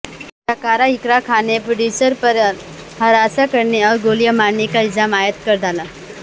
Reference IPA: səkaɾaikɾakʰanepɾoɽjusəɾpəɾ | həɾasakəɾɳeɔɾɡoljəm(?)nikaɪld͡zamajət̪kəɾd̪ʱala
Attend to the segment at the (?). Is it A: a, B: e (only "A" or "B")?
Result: A